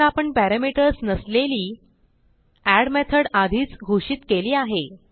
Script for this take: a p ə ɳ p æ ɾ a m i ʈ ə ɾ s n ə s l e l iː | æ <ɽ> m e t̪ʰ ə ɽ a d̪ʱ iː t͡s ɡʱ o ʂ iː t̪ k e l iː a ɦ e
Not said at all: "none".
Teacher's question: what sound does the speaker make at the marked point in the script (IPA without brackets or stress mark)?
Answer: ɽ